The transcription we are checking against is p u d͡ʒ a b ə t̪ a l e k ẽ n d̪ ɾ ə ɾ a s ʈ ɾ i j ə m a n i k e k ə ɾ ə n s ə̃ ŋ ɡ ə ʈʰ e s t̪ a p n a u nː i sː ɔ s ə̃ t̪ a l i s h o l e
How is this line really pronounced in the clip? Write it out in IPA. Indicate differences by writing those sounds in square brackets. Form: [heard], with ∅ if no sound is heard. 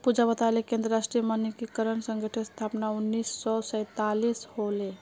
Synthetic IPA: p u d͡ʒ a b ə t̪ a l e k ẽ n d̪ ɾ ə ɾ a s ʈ ɾ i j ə m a n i k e k ə ɾ ə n s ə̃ ŋ ɡ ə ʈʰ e s [t̪ʰ] a p n a u nː i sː ɔ s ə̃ t̪ a l i s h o l e